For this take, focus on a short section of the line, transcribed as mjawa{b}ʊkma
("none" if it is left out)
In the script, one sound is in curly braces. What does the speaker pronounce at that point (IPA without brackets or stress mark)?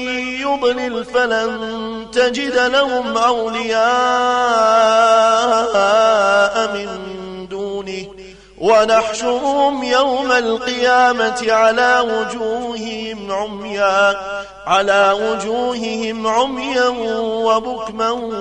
b